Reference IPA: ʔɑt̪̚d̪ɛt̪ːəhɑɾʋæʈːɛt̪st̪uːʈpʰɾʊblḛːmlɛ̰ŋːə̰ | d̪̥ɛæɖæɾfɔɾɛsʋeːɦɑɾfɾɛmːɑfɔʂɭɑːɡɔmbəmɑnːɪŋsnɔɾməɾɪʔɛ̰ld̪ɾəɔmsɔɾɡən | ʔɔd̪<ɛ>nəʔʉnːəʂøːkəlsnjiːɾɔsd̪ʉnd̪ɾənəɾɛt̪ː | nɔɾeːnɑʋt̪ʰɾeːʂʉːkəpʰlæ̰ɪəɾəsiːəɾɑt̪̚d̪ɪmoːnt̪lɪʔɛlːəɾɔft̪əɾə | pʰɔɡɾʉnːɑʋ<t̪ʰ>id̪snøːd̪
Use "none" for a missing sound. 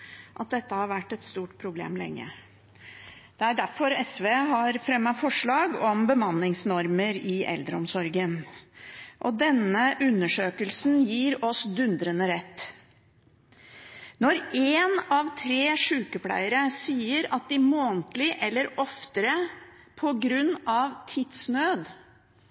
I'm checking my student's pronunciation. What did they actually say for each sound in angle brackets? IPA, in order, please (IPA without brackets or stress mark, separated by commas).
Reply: ɛ, t̪ʰ